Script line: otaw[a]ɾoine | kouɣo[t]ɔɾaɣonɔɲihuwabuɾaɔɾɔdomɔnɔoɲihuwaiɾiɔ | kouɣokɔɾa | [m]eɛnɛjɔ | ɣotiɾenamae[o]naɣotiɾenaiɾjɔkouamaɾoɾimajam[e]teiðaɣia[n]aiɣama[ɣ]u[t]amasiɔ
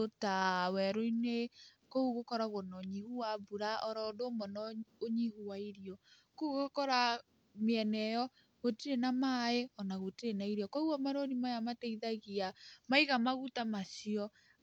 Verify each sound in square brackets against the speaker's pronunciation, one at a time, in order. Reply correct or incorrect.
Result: incorrect, incorrect, correct, incorrect, incorrect, incorrect, correct, correct

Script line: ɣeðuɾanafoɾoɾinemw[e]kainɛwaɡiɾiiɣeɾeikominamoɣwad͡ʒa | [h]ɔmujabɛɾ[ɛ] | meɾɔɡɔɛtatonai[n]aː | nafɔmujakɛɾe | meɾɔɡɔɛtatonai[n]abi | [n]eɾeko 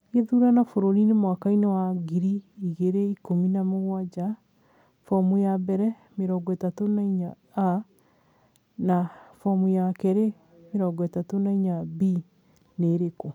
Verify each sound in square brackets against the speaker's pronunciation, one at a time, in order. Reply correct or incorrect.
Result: incorrect, incorrect, correct, incorrect, incorrect, correct

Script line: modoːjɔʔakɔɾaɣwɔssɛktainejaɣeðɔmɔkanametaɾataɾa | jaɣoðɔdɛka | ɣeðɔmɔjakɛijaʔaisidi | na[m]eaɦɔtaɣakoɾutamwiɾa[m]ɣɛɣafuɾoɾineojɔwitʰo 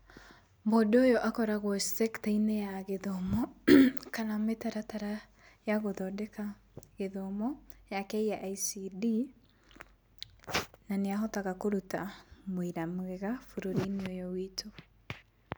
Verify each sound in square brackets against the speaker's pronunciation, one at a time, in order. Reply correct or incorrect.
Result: incorrect, correct

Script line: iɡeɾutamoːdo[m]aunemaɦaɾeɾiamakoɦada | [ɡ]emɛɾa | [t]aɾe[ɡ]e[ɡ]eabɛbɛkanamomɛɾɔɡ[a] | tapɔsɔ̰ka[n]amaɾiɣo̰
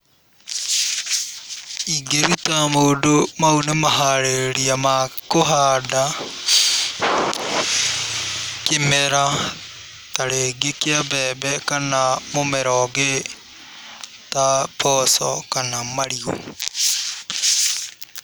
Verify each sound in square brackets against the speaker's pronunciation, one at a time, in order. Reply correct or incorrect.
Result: correct, incorrect, correct, correct, incorrect, incorrect, correct

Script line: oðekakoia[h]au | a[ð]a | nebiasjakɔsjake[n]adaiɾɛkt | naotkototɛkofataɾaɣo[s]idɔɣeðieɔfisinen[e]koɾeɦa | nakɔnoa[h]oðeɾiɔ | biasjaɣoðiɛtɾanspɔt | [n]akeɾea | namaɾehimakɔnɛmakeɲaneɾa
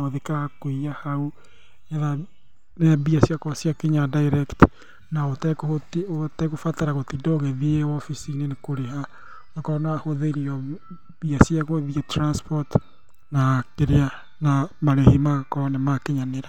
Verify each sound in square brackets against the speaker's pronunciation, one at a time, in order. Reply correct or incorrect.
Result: correct, correct, incorrect, incorrect, correct, correct, correct

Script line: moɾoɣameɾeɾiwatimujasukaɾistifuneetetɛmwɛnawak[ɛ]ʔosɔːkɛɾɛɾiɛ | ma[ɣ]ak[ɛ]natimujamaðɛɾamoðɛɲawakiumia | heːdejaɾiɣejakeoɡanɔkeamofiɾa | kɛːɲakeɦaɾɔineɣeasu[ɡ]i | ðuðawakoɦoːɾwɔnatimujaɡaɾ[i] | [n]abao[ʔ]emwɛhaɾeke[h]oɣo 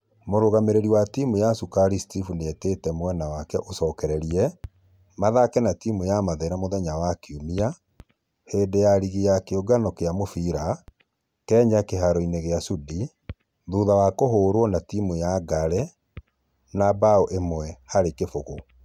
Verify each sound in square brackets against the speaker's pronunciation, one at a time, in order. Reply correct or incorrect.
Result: correct, incorrect, correct, incorrect, incorrect, correct, correct, incorrect

